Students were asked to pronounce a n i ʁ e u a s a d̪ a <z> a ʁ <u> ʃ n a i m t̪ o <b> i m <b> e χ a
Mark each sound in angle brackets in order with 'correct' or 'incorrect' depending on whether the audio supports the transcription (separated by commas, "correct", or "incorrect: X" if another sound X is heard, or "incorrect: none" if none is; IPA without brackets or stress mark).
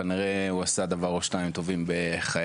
incorrect: v, incorrect: o, incorrect: v, correct